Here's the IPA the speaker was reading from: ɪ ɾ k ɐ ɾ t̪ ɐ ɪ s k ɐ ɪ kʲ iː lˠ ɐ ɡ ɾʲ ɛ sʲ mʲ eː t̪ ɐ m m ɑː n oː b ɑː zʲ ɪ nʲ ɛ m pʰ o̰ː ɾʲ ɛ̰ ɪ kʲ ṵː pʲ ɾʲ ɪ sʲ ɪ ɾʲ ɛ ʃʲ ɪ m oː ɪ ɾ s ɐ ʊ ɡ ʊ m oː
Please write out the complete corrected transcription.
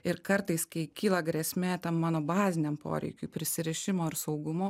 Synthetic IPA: ɪ ɾ k ɐ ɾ t̪ ɐ ɪ s k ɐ ɪ kʲ iː lˠ ɐ ɡ ɾʲ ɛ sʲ mʲ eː t̪ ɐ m m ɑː n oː b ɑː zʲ ɪ nʲ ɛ m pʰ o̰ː ɾʲ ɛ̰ ɪ kʲ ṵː pʲ ɾʲ ɪ sʲ ɪ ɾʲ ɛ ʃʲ ɪ m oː ɪ ɾ s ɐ ʊ ɡ ʊ m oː